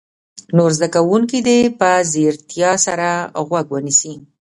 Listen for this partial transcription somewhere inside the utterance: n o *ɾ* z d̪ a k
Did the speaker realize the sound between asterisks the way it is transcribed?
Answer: yes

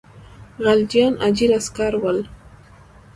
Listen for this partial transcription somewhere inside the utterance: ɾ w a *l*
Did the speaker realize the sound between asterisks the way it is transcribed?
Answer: yes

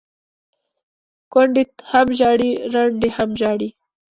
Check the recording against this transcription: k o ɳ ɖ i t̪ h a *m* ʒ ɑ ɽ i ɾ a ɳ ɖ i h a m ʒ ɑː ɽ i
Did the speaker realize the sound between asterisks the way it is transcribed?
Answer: yes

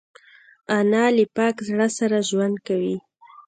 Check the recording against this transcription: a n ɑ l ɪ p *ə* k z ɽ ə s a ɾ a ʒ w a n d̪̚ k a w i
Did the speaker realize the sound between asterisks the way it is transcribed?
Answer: no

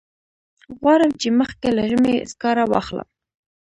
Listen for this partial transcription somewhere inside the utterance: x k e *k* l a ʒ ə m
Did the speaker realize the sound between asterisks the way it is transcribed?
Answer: no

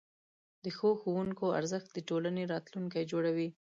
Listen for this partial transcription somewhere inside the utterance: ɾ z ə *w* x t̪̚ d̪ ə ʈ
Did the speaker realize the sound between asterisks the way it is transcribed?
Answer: no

